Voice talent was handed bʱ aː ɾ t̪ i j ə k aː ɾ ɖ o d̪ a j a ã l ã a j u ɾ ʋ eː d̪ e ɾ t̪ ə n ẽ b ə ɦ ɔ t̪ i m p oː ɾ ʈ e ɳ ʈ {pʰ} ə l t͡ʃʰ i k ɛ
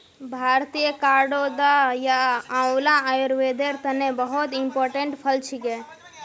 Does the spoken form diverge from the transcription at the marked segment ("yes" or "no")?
no